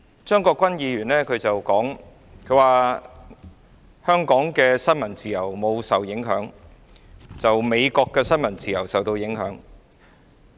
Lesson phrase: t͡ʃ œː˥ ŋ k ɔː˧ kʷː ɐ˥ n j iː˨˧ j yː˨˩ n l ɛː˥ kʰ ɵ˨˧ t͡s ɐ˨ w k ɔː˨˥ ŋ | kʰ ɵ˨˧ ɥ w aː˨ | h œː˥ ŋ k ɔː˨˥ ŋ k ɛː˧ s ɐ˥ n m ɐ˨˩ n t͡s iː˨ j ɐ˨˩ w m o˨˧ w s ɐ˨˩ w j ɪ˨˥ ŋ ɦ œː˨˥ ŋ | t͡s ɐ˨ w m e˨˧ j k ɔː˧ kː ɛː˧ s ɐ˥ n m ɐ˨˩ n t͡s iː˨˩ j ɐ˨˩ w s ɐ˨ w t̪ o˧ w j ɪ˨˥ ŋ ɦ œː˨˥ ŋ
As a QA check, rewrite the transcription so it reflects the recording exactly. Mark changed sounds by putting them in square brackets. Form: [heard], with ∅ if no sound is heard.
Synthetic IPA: t͡ʃ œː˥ ŋ k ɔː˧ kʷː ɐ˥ n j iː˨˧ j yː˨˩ n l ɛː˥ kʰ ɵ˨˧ t͡s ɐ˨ w k ɔː˨˥ ŋ | kʰ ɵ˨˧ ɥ w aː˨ | h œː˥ ŋ k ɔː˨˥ ŋ k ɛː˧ s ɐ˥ n m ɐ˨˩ n t͡s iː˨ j ɐ˨˩ w m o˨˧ w s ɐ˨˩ w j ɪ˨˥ ŋ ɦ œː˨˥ ŋ | t͡s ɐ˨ w m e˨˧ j k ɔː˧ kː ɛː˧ s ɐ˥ n m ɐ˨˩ n t͡s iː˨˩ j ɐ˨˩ w s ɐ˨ w t̪ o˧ w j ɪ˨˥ ŋ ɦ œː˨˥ ŋ

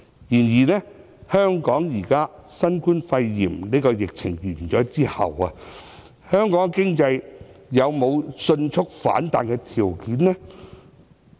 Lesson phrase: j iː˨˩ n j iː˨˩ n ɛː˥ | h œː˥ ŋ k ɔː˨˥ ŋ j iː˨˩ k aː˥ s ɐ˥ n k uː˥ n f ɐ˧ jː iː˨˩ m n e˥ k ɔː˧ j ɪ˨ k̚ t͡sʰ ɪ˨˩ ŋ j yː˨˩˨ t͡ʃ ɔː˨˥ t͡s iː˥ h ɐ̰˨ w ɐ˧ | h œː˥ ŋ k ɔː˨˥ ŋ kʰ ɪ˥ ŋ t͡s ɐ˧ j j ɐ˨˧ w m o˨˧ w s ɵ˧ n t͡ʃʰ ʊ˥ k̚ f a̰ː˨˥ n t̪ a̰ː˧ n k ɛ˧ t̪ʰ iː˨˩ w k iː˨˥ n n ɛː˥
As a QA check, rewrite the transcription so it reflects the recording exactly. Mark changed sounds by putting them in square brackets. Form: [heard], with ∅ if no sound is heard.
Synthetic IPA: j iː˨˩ n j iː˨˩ n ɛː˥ | h œː˥ ŋ k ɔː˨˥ ŋ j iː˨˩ k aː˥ s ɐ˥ n k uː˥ n f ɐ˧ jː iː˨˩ m n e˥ k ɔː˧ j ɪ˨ k̚ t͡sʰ ɪ˨˩ ŋ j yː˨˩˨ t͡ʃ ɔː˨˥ t͡s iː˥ h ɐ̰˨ w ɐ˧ | h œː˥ ŋ k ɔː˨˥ ŋ [k] ɪ˥ ŋ t͡s ɐ˧ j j ɐ˨˧ w m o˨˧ w s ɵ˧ n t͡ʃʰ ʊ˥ k̚ f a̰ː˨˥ n t̪ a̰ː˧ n k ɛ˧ t̪ʰ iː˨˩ w k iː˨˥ n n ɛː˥

